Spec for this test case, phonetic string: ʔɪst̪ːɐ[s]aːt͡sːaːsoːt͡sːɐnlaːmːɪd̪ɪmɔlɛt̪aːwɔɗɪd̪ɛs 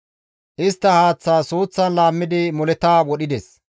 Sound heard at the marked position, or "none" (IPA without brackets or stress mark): h